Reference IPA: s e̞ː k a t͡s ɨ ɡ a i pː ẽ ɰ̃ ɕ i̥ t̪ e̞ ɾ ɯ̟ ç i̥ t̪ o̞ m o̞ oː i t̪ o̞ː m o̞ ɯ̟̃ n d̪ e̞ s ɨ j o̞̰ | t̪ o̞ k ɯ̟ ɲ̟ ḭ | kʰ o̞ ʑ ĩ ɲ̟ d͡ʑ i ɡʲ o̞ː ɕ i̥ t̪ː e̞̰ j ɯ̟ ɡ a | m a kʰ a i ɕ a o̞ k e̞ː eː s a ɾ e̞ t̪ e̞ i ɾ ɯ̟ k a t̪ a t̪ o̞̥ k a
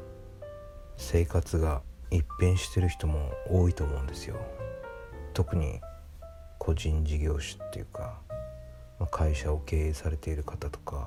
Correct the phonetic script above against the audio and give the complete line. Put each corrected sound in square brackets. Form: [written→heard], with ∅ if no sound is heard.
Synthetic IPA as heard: s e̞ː k a t͡s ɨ ɡ a i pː ẽ ɰ̃ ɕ i̥ t̪ e̞ ɾ ɯ̟ ç i̥ t̪ o̞ m o̞ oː i t̪ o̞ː m o̞ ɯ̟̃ n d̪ e̞ s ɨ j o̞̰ | t̪ o̞ k ɯ̟ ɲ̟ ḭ | kʰ o̞ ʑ ĩ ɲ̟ d͡ʑ i ɡʲ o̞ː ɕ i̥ t̪ː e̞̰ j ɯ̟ [ɡ→k] a | m a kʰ a i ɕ a o̞ k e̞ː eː s a ɾ e̞ t̪ e̞ i ɾ ɯ̟ k a t̪ a t̪ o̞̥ k a